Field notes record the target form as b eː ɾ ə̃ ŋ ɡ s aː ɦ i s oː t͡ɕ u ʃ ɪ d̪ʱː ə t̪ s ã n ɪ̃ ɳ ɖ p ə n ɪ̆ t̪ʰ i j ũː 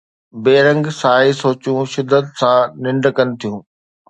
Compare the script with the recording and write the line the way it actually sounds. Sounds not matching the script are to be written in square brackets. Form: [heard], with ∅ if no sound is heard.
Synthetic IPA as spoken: b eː ɾ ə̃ ŋ ɡ s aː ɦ i s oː t͡ɕ [ũ] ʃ ɪ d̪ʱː ə t̪ s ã n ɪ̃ ɳ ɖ [k] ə n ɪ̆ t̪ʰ i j ũː